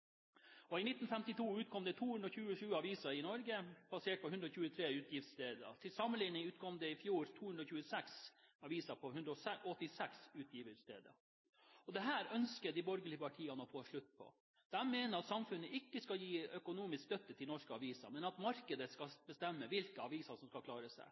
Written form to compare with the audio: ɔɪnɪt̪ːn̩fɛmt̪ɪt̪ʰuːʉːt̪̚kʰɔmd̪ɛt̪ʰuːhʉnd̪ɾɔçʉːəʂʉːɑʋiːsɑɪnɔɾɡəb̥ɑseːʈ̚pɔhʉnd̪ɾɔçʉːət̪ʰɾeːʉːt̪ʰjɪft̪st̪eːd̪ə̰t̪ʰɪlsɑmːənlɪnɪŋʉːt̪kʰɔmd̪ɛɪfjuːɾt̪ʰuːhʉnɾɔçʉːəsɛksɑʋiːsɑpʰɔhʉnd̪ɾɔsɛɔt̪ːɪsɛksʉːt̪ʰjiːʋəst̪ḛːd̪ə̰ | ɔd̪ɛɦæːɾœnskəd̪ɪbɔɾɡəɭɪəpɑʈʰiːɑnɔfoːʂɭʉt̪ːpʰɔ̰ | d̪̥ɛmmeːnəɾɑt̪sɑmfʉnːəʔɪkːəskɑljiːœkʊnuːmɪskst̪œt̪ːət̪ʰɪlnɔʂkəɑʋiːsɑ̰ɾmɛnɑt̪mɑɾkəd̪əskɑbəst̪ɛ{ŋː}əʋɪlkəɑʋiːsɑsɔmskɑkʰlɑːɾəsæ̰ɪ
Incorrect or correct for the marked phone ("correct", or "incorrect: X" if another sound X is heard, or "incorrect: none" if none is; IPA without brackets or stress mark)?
incorrect: mː